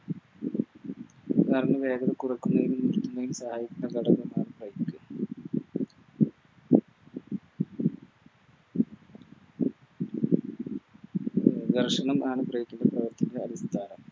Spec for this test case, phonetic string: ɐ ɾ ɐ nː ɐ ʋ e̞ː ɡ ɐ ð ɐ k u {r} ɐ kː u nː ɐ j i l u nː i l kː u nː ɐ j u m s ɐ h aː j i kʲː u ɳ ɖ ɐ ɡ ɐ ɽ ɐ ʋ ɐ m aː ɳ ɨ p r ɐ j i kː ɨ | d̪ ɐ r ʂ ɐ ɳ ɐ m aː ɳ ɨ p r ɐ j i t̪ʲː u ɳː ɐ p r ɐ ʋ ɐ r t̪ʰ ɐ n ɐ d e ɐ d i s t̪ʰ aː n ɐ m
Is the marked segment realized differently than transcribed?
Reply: no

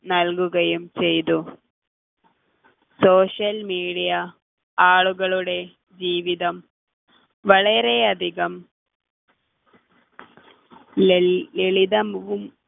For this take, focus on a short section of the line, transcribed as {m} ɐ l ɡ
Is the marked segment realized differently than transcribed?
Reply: yes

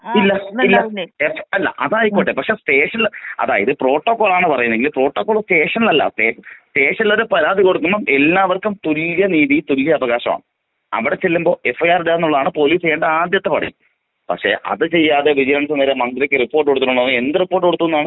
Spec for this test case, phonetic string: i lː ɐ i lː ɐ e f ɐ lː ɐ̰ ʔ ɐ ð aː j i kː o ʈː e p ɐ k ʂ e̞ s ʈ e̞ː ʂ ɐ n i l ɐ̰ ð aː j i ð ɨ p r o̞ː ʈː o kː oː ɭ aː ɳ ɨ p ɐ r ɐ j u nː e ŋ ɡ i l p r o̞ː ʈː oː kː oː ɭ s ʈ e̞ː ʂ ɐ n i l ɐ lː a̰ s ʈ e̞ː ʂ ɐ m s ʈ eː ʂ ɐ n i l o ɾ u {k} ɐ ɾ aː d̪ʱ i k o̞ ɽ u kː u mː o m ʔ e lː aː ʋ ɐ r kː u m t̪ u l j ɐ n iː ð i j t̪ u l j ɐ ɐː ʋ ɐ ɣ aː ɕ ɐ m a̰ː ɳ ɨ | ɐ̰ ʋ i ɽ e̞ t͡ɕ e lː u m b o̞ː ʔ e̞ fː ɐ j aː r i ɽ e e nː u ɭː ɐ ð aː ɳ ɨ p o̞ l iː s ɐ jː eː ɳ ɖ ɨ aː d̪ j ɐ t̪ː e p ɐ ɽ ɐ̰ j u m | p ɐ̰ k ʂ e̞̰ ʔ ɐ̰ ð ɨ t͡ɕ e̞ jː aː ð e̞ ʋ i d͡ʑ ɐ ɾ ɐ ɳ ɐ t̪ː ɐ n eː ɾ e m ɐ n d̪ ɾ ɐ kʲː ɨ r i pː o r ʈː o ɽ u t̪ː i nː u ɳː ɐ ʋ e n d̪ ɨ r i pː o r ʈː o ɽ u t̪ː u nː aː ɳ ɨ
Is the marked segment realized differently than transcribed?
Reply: yes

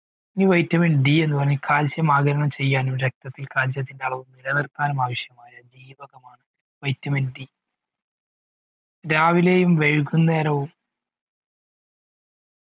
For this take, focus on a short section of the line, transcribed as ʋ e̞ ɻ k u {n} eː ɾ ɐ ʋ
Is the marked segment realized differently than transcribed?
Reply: yes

